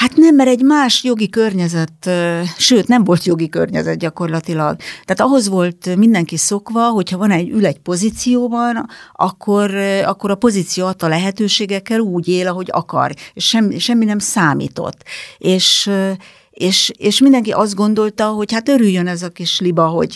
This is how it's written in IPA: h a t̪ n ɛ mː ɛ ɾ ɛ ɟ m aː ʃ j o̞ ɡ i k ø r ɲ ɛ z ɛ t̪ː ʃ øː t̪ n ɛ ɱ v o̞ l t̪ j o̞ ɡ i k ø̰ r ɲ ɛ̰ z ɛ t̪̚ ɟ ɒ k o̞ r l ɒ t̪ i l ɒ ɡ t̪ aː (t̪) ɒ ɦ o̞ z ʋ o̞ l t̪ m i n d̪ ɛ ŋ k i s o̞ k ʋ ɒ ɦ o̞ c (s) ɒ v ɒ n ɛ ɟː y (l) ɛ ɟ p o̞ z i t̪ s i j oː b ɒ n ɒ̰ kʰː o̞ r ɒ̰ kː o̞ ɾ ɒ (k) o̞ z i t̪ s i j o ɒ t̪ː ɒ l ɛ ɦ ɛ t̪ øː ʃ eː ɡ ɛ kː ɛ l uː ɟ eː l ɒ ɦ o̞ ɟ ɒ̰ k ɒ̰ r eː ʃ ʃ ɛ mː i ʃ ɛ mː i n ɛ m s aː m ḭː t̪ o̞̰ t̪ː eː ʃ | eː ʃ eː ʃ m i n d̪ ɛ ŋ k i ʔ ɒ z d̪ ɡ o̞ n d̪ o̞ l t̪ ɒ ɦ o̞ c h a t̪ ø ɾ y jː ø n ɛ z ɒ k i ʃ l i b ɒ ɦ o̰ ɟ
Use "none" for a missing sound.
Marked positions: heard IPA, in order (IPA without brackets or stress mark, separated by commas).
t̪, h, l, p